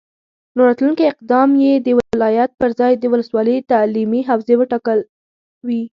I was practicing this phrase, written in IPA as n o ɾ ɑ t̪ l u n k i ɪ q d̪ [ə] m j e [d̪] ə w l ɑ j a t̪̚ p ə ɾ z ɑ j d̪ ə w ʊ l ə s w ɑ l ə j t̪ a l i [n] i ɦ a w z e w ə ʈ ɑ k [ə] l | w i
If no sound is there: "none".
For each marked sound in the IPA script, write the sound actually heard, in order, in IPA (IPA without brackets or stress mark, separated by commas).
ɑ, d̪, m, ə